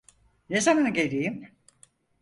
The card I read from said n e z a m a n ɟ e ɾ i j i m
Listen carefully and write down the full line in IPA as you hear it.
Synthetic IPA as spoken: n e z a m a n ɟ e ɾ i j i m